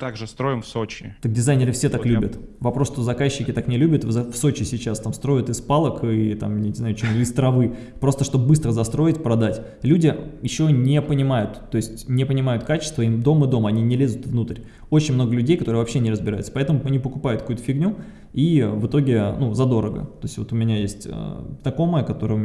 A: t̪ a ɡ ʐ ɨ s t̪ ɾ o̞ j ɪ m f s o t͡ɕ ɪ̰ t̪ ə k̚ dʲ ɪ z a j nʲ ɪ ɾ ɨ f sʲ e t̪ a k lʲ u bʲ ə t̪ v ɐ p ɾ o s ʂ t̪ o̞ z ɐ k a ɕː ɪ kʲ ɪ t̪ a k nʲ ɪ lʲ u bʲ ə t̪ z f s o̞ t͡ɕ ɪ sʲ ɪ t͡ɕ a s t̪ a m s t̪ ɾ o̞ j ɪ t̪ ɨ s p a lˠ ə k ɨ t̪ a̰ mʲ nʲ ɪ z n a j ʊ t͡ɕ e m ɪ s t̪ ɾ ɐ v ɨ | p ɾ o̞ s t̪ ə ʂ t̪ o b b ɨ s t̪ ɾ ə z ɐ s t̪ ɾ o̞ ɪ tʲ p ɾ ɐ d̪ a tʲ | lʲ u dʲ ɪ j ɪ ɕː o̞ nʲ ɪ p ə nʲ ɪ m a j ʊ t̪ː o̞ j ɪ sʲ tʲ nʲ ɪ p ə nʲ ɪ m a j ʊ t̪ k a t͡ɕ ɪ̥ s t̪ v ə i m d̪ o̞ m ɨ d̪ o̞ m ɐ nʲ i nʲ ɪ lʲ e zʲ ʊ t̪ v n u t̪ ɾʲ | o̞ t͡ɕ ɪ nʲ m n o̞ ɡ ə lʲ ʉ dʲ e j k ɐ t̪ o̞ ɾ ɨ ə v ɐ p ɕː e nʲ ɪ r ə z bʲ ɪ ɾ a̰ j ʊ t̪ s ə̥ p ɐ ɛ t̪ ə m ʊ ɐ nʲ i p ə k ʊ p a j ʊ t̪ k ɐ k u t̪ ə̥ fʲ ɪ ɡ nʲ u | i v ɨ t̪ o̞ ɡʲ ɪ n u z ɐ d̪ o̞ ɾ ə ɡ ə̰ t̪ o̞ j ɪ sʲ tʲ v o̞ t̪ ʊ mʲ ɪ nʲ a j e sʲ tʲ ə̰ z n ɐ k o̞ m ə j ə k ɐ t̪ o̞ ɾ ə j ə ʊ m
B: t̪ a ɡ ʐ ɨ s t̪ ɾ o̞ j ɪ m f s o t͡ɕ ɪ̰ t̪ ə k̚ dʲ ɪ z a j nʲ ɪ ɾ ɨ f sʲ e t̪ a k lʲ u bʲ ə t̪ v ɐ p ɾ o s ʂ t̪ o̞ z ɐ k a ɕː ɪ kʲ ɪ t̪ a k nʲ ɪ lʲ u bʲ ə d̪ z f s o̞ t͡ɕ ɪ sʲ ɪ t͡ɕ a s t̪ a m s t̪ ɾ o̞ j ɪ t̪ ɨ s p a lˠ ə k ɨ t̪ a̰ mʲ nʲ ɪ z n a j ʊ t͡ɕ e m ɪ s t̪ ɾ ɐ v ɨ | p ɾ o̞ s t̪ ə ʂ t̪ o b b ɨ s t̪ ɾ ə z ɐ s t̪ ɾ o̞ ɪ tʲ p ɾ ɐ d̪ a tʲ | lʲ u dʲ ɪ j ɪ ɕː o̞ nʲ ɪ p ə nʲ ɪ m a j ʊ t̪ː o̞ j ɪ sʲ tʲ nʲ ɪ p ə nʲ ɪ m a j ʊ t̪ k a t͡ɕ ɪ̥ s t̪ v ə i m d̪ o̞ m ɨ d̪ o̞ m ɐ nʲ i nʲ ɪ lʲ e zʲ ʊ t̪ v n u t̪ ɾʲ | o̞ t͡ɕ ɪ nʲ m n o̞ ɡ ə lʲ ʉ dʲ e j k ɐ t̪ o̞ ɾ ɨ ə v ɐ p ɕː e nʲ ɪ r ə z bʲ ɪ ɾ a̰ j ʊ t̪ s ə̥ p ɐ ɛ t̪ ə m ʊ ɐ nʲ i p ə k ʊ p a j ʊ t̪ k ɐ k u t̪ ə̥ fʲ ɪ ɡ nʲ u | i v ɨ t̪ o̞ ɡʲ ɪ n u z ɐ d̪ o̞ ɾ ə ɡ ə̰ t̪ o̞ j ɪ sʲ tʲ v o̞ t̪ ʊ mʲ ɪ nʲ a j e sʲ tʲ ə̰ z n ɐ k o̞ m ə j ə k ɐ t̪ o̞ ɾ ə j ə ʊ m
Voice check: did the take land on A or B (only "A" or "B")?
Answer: A